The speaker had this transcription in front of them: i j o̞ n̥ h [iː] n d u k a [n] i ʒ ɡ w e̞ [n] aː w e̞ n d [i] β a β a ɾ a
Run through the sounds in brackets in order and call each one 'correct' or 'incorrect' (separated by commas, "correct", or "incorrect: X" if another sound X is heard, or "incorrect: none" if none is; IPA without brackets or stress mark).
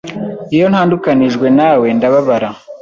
incorrect: aː, correct, correct, incorrect: a